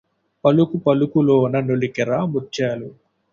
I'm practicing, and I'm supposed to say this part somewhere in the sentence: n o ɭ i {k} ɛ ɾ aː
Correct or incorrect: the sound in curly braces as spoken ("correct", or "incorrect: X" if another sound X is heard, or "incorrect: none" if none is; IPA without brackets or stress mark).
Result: correct